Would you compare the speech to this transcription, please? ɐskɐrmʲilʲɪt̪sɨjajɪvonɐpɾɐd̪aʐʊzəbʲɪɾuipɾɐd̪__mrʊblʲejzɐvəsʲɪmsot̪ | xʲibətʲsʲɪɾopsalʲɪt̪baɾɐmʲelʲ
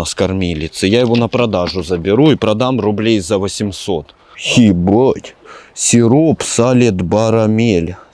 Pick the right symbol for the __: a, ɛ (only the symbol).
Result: a